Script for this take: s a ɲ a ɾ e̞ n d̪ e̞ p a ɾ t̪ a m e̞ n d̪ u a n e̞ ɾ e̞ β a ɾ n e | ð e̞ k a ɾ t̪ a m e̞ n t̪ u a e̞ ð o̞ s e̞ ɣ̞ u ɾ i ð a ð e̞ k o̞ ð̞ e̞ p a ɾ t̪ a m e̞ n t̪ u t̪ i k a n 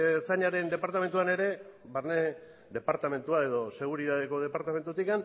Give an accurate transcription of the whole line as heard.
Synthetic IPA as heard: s a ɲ a ɾ e̞ n d̪ e̞ p a ɾ t̪ a m e̞ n t̪ u a n e̞ ɾ e̞ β a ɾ n e | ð e̞ p a ɾ t̪ a m e̞ n t̪ u a e̞ ð o̞ s e̞ ɣ̞ u ɾ i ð a ð e̞ k o̞ ð̞ e̞ p a ɾ t̪ a m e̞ n t̪ u t̪ i k a n